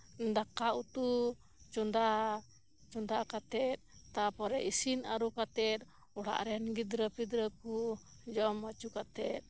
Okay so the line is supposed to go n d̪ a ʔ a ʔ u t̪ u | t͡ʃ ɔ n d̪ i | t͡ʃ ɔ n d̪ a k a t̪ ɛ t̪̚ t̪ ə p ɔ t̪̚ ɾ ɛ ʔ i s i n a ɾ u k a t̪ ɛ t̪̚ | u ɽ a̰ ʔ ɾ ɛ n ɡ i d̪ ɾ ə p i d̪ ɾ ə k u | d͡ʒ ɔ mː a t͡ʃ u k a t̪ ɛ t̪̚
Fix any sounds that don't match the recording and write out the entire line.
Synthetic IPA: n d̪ a k a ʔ u t̪ u | t͡ʃ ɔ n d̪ a | t͡ʃ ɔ n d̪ a k a t̪ ɛ t̪̚ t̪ a p ɔ ɾ ɛ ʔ i s i n a ɾ u k a t̪ ɛ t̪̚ | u ɽ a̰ ʔ ɾ ɛ n ɡ i d̪ ɾ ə p i d̪ ɾ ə k u | d͡ʒ ɔ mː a t͡ʃ u k a t̪ ɛ t̪̚